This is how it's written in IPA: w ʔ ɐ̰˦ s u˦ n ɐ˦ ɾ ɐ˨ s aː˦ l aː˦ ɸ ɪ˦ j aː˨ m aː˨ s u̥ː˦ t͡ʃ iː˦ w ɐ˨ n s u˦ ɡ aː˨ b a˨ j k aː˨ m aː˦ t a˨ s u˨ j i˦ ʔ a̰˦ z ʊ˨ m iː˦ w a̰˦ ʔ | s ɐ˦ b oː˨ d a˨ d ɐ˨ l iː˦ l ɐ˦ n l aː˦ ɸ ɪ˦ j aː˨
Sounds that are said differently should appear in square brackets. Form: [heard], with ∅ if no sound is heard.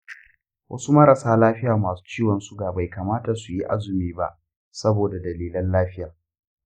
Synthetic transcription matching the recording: w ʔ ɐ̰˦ s u˦ [m] ɐ˦ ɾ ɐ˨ s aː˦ l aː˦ ɸ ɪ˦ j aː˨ m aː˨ s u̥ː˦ t͡ʃ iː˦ w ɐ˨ n s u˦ ɡ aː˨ b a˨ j k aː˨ m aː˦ t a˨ s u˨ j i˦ ʔ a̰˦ z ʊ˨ m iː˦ [b] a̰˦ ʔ | s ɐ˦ b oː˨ d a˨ d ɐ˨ l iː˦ l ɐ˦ n l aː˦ ɸ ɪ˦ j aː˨